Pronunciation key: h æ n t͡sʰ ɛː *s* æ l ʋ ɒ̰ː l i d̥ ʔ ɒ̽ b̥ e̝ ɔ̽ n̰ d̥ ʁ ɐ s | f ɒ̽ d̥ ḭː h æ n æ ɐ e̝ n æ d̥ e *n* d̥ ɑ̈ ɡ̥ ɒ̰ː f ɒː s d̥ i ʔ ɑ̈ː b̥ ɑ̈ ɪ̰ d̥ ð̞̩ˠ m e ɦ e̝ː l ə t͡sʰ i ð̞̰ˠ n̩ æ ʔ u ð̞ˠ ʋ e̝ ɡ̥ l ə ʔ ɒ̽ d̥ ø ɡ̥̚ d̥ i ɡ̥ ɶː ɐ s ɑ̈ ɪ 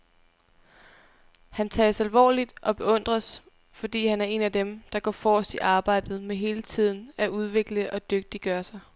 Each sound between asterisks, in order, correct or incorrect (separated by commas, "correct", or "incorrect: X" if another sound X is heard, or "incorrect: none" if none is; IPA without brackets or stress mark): correct, incorrect: m